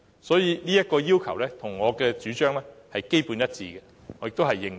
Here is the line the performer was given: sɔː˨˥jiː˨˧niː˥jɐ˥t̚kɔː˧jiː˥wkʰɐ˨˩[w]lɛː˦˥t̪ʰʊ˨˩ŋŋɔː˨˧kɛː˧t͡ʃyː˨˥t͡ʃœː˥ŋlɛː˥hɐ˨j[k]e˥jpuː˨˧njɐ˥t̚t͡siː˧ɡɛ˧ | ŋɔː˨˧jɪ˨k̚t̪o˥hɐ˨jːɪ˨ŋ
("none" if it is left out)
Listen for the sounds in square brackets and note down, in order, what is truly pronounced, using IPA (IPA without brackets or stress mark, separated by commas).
w, k